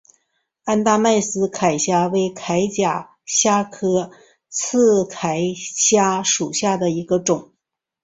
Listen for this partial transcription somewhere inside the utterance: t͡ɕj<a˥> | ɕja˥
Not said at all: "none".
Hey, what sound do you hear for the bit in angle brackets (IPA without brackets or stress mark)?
a˨˩